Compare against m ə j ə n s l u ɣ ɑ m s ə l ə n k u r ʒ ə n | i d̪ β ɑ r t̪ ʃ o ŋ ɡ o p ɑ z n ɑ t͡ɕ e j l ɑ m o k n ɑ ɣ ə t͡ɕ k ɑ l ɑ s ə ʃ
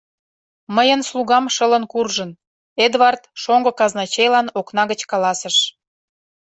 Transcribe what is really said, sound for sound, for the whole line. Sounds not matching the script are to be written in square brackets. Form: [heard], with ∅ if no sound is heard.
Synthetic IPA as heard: m ə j ə n s l u ɣ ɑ m [ʃ] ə l ə n k u r ʒ ə n | [e] d̪ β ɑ r t̪ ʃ o ŋ ɡ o [k] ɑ z n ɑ t͡ɕ e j l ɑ [n] o k n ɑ ɣ ə t͡ɕ k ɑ l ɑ s ə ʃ